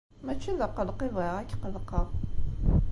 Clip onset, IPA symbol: m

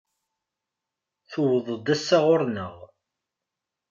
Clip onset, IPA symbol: θ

